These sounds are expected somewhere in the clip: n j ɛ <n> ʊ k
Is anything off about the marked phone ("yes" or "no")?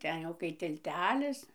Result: yes